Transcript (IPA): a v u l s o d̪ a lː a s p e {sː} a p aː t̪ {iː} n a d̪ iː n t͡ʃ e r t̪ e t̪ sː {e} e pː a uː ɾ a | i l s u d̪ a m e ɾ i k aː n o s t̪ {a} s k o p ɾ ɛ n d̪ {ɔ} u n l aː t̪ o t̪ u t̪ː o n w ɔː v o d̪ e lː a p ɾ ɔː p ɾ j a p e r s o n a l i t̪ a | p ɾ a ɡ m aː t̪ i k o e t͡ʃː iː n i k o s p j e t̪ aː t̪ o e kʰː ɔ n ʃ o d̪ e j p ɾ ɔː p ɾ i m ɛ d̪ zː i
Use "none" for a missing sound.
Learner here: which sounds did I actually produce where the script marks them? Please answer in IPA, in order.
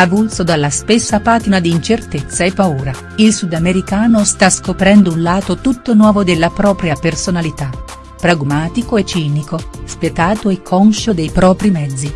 sː, i, a, a, o

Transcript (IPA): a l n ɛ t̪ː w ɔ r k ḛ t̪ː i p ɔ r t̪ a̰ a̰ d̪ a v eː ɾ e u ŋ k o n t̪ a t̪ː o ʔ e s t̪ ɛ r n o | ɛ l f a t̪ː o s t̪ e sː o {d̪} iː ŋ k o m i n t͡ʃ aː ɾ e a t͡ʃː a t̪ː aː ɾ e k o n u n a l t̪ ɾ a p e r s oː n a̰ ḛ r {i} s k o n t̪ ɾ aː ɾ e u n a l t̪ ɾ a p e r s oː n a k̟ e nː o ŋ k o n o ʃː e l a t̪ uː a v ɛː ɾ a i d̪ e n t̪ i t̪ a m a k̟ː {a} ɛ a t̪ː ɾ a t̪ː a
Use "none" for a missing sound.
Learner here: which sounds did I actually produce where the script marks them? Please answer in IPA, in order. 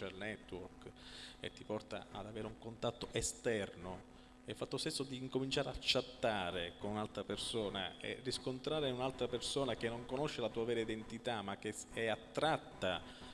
d̪, i, e

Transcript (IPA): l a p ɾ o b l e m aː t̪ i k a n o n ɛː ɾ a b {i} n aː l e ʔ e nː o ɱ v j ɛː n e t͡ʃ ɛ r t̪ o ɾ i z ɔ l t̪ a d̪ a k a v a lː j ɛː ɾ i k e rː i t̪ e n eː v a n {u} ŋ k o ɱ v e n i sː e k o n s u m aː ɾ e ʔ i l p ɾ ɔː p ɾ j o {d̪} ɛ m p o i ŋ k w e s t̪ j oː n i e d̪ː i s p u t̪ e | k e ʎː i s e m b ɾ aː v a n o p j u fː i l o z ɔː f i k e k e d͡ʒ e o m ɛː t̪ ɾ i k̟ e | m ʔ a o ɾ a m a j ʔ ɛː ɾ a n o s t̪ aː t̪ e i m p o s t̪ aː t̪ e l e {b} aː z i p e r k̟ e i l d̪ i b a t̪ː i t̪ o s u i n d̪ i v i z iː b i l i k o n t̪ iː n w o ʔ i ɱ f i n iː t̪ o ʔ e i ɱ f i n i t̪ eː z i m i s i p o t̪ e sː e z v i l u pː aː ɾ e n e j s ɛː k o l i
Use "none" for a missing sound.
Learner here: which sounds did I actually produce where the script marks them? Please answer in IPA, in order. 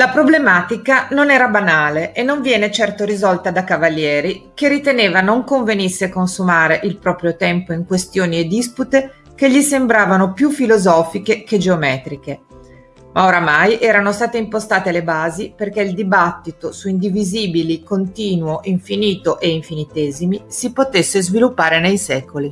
a, o, t̪, b

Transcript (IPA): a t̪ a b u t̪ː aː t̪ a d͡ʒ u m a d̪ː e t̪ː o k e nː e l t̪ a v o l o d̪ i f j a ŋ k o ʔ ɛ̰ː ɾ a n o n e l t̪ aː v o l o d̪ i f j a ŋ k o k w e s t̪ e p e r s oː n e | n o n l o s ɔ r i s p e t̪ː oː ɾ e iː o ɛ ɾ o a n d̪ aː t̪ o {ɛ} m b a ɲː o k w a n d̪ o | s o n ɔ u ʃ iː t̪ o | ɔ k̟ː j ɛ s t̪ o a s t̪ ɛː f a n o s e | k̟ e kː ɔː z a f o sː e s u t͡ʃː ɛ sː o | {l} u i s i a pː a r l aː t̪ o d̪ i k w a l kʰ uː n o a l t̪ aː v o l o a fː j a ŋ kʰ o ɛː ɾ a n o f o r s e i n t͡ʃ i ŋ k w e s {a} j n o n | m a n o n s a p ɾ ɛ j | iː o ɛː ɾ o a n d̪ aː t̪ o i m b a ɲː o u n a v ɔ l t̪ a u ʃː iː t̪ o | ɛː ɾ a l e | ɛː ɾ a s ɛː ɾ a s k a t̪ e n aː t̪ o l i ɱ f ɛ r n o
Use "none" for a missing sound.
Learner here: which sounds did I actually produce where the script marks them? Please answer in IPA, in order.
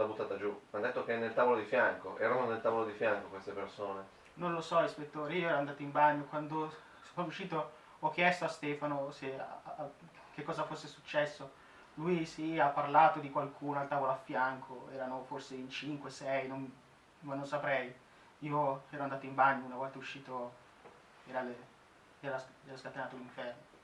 i, l, ɛ

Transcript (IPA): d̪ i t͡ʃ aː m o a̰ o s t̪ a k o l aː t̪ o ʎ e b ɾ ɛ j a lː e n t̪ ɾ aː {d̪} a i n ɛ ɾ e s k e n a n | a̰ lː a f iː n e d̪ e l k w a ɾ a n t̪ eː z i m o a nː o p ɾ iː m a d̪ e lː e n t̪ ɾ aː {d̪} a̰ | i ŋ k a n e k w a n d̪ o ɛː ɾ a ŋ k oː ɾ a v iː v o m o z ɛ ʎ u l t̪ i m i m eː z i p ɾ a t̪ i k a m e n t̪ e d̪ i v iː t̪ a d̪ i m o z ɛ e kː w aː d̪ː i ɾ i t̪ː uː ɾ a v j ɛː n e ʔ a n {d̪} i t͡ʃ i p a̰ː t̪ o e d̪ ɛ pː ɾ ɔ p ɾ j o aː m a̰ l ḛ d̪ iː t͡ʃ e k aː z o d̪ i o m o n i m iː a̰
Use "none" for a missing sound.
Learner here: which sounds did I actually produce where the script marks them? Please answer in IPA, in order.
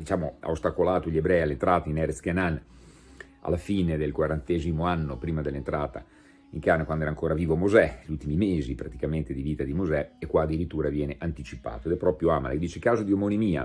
t̪, t̪, t̪

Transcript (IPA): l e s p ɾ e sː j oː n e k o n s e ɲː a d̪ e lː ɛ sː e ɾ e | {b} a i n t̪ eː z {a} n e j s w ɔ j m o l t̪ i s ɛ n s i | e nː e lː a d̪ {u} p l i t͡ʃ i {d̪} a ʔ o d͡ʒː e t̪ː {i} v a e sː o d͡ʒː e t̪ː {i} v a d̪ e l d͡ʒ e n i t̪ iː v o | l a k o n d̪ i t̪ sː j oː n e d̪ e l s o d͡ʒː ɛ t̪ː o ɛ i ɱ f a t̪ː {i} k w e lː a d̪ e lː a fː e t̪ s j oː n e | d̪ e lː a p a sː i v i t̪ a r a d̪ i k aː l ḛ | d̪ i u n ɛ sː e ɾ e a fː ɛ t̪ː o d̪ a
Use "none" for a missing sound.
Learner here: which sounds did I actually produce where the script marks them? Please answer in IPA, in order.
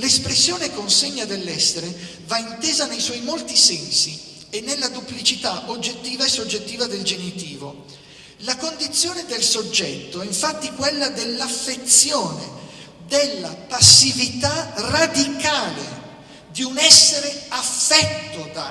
v, a, u, t̪, iː, iː, i

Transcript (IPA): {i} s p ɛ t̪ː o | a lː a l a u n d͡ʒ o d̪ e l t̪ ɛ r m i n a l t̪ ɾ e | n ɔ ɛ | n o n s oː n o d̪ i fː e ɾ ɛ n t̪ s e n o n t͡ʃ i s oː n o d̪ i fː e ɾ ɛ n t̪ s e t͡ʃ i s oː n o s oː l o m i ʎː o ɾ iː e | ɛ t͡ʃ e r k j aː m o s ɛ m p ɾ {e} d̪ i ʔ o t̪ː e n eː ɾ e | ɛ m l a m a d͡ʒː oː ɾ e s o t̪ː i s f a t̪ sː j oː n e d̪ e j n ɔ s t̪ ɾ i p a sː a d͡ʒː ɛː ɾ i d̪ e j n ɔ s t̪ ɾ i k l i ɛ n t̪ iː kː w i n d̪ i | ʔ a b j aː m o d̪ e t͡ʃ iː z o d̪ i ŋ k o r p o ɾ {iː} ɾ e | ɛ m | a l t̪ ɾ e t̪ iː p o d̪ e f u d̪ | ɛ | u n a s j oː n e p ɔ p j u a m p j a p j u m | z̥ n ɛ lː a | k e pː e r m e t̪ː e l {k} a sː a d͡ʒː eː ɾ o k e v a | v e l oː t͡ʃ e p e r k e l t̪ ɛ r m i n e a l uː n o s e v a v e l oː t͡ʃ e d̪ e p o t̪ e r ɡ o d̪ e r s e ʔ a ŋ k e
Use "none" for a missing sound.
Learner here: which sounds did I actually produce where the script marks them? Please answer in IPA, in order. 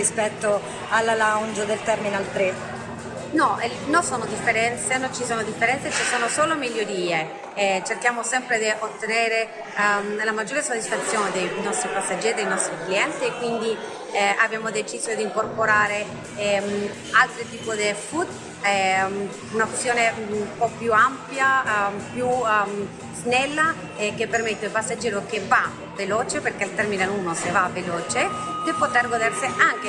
i, e, aː, p

